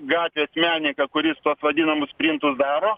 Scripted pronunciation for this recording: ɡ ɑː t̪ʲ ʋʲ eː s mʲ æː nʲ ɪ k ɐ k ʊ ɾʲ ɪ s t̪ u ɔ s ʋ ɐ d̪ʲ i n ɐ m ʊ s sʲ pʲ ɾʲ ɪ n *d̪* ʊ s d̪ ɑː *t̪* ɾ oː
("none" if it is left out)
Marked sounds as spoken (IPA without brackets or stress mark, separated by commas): t̪, none